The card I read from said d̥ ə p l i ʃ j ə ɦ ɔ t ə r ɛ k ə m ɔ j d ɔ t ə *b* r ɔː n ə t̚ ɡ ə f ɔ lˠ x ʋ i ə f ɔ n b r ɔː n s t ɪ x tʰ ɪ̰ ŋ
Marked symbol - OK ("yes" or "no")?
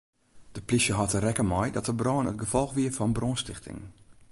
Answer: yes